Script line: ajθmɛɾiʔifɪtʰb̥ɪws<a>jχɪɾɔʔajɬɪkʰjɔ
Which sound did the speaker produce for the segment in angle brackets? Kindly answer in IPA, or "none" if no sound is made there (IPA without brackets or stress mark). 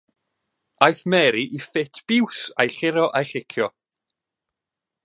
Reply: a